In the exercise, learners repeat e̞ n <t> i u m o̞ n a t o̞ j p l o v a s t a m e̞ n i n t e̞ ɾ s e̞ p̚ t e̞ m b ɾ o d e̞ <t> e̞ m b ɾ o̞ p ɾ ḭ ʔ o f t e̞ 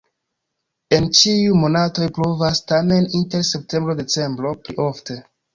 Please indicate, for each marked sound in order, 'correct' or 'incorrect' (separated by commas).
incorrect, incorrect